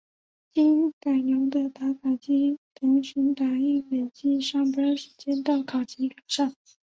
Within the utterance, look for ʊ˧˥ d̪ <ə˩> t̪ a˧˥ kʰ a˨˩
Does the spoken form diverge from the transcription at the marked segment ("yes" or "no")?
yes